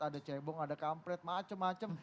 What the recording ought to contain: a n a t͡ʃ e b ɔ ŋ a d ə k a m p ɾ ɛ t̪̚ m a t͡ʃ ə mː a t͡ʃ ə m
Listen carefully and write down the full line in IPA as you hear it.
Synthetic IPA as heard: a d a t͡ʃ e b ɔ ŋ a d a k a m p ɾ ɛ t̪̚ m a t͡ʃ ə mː a t͡ʃ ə m